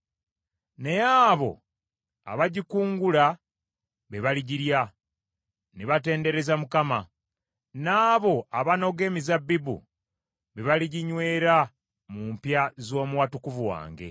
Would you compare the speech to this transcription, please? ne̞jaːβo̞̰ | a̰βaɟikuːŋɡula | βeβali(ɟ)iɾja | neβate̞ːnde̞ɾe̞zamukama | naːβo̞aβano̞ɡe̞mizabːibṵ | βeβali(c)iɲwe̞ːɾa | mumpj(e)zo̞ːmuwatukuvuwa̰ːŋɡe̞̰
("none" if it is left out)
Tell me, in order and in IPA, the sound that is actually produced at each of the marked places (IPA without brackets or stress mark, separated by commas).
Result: ɟ, ɟ, a